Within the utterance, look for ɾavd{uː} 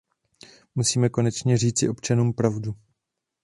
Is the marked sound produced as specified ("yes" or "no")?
no